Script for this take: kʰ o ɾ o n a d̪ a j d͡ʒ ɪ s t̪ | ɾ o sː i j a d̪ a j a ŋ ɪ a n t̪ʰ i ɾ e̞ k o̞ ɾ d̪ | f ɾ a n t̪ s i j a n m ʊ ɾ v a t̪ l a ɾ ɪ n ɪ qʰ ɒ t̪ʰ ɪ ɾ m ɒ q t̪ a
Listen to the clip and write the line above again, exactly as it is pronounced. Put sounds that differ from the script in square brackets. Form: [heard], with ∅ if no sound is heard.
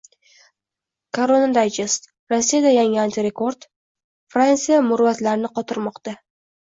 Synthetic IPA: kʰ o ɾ o n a d̪ a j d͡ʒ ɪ s t̪ | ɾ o sː i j a d̪ a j a ŋ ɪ a n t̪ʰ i ɾ e̞ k o̞ ɾ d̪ | f ɾ a n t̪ s i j a [∅] m ʊ ɾ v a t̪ l a ɾ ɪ n ɪ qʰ ɒ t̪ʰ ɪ ɾ m ɒ q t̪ a